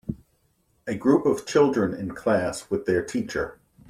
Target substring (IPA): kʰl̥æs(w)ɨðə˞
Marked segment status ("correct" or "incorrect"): correct